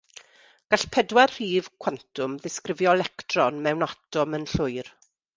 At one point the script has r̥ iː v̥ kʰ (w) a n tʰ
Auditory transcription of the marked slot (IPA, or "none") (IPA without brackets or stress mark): w